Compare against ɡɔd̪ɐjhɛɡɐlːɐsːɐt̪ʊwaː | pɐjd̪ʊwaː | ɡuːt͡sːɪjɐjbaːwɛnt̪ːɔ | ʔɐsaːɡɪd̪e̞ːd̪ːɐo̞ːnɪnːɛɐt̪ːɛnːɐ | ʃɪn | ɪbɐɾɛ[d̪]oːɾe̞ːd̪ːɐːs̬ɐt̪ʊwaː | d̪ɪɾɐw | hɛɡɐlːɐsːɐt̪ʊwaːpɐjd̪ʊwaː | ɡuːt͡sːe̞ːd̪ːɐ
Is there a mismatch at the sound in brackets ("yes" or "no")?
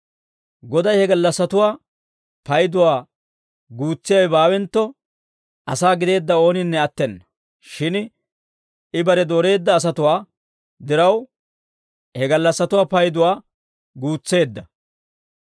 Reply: no